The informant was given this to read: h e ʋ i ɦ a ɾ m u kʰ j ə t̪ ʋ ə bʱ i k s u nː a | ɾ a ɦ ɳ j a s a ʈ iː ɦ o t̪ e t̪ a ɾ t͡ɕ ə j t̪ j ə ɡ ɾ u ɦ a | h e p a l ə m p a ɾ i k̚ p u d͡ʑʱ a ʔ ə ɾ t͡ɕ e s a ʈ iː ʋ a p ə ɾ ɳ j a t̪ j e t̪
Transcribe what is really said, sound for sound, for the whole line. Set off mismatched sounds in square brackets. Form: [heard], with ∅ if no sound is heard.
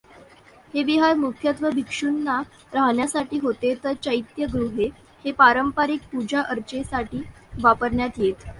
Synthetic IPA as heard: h e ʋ i ɦ a ɾ m u kʰ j ə t̪ ʋ ə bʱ i k [ʂ] u nː a | ɾ a ɦ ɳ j a s a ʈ iː ɦ o t̪ e t̪ [ə] ɾ t͡ɕ ə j t̪ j ə ɡ ɾ u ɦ [e] | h e p a [ɾ] ə m p a ɾ i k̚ p u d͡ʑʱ a ʔ ə ɾ t͡ɕ e s a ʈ iː ʋ a p ə ɾ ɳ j a t̪ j e t̪